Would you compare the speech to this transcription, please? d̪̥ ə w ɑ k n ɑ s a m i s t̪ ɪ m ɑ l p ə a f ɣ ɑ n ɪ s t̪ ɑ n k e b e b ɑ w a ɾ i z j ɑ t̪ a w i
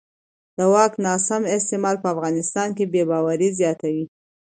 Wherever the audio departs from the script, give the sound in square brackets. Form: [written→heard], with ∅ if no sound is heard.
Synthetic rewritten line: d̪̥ ə w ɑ k n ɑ s a m [i→ɪ] s t̪ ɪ m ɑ l p ə a f ɣ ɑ n ɪ s t̪ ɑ n k e b e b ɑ w a ɾ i z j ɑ t̪ a w i